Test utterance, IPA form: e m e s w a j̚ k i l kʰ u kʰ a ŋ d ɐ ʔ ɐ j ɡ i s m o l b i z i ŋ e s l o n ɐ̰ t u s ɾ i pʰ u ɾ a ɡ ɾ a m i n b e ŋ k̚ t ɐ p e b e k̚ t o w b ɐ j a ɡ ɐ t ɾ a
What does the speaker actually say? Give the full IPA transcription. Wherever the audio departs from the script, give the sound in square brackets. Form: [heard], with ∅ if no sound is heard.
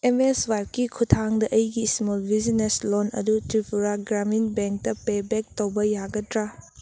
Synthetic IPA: e m e s w a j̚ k i [∅] kʰ u [tʰ] a ŋ d ɐ ʔ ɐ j ɡ i s m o l b i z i [n] e s l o n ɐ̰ [d] u [t] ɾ i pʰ u ɾ a ɡ ɾ a m i n b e ŋ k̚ t ɐ p e b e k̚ t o w b ɐ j a ɡ ɐ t ɾ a